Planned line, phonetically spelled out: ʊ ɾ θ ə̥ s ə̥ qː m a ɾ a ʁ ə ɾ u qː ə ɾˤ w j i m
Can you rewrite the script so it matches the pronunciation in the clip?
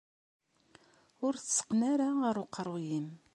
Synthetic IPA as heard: ʊ ɾ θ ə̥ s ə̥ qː n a ɾ a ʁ ə ɾ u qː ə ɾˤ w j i m